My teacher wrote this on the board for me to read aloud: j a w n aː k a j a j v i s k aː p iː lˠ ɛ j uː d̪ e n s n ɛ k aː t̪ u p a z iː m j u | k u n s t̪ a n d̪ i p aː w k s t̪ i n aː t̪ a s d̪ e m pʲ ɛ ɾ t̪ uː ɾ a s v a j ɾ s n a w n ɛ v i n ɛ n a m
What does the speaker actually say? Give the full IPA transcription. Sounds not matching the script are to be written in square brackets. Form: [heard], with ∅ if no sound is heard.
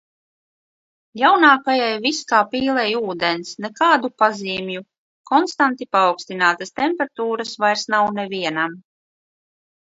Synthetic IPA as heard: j a w n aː k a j a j v i s k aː p iː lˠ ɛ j uː d̪ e n s n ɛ k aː [d̪] u p a z iː m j u | k [ɔ] n s t̪ a n [t̪] i p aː w k s t̪ i n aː t̪ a s [t̪] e m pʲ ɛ ɾ t̪ uː ɾ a s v a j ɾ s n a w n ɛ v i [∅] ɛ n a m

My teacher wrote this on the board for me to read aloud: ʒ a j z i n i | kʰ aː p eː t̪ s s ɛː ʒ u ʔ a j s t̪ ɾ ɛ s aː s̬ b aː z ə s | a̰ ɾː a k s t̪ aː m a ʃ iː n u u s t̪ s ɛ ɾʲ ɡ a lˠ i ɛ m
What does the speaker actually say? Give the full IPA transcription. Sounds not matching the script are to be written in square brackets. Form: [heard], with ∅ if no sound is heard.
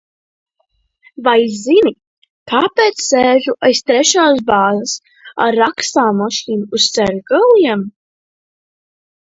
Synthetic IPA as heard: [v] a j z i n i | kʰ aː p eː t̪ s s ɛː ʒ u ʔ a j s t̪ ɾ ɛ [ʃ] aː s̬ b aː z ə s | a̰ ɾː a k s t̪ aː m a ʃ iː n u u s t̪ s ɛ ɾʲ ɡ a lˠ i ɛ m

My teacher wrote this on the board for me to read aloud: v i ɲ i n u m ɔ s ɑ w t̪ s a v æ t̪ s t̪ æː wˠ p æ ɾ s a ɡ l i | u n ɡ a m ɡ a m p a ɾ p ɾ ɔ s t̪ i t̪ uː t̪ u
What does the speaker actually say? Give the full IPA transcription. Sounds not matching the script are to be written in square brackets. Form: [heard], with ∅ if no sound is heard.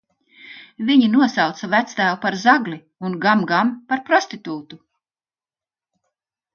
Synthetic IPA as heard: v i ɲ i n u [∅] ɔ s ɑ w t̪ s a v æ t̪ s t̪ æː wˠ p [a] ɾ [z] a ɡ l i | u n ɡ a m ɡ a m p a ɾ p ɾ ɔ s t̪ i t̪ uː t̪ u

